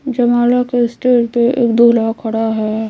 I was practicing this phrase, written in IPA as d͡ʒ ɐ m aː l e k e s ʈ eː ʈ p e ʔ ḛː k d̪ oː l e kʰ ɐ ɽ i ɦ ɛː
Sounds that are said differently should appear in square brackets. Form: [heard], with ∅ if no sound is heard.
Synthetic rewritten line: d͡ʒ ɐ m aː l [a] k e s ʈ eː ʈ p e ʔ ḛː k d̪ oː l [a] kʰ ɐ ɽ [a] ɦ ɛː